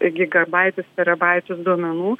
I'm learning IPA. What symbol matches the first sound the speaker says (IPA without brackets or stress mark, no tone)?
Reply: ɡʲ